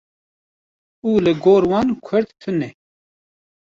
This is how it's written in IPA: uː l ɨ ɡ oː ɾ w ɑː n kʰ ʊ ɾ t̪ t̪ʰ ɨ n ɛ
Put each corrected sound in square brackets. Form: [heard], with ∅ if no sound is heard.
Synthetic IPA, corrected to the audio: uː l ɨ ɡ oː ɾ w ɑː n kʰ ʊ ɾ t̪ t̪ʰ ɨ n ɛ